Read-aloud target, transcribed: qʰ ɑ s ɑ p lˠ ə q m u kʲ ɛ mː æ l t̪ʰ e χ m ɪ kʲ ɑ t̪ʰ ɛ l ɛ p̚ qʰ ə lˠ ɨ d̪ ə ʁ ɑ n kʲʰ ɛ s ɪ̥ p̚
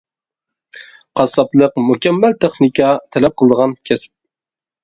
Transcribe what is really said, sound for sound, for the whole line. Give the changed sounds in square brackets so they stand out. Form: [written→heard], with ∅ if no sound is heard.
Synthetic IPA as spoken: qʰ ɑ s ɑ p lˠ ə q m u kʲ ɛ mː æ l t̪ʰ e χ [m→n] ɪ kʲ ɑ t̪ʰ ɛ l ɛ p̚ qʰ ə lˠ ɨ d̪ ə ʁ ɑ n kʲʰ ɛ s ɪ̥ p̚